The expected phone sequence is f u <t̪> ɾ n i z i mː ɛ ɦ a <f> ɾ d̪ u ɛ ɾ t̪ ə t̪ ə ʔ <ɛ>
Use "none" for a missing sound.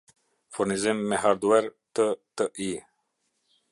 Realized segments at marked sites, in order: none, none, i

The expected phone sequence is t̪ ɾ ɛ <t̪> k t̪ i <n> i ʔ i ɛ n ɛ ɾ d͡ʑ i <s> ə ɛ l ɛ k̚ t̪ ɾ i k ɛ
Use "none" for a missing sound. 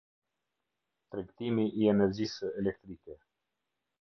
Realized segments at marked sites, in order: none, m, s

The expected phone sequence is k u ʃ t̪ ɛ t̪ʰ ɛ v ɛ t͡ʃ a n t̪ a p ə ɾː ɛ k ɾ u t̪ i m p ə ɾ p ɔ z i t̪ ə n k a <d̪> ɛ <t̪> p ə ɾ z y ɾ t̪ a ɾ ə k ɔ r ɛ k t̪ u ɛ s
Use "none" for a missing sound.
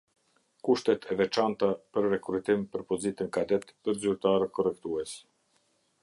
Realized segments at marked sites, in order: d̪, t̪

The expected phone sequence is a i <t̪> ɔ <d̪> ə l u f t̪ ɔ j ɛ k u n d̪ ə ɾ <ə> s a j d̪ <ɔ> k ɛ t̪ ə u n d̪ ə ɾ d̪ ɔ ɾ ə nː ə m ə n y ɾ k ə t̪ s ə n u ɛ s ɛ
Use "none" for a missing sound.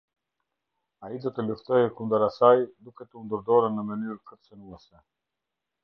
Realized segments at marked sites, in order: d̪, t̪, a, u

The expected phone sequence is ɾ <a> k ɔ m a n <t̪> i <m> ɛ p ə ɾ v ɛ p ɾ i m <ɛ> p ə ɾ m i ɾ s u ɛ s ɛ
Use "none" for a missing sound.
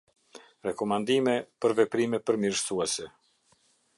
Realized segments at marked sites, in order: ɛ, d̪, m, ɛ

